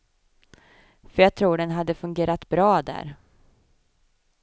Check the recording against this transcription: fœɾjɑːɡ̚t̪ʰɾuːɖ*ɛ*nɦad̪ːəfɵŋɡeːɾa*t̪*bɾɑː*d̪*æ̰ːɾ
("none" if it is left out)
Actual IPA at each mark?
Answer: ɛ, t̪, d̪

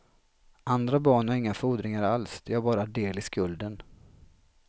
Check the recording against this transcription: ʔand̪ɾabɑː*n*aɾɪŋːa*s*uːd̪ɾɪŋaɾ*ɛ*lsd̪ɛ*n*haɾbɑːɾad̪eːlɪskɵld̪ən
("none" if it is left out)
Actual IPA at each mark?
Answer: ɳ, f, a, none

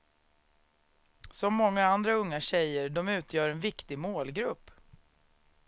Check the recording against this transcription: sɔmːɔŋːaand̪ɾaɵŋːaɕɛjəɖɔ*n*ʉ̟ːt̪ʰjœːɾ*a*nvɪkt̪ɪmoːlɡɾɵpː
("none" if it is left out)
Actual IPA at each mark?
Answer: m, ɛ

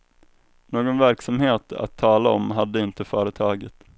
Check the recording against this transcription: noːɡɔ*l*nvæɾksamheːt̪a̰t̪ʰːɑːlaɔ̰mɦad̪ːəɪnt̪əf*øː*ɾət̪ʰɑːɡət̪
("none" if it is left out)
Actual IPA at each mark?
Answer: none, œː

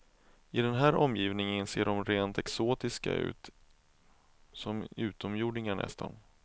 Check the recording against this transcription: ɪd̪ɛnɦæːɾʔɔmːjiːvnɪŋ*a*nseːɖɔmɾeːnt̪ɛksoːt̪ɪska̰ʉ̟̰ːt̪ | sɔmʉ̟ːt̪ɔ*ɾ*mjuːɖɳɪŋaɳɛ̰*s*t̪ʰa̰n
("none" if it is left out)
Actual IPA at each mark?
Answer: ə, none, s

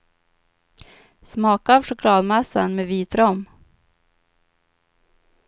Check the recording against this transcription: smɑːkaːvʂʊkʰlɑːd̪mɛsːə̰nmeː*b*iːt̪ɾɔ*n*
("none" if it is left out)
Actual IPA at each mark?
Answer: v, m

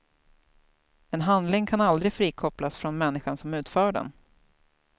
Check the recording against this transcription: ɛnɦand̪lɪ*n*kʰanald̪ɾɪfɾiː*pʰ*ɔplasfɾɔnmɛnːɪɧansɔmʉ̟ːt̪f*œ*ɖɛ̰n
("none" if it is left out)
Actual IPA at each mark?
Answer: ŋ, kʰ, œː

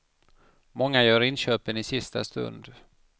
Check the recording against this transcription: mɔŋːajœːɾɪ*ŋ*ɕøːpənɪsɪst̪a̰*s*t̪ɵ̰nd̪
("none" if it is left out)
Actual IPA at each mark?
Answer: n, s

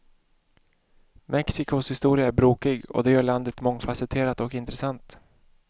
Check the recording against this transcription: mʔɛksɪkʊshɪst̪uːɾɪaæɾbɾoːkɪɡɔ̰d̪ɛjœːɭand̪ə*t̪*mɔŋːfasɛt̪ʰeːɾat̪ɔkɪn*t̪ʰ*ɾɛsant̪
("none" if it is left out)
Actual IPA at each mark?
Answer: t̪, t̪

